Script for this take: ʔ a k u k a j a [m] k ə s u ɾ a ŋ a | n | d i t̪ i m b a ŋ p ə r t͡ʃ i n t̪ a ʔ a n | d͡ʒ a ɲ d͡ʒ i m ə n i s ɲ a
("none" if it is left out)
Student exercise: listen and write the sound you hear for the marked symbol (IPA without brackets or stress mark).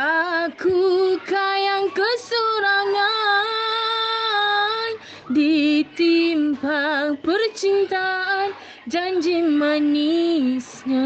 ŋ